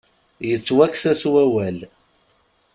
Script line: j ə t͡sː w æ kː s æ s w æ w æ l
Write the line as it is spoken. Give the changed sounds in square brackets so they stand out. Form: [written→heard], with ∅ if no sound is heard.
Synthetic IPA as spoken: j ə t͡sː w æ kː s æ s w æ w æ l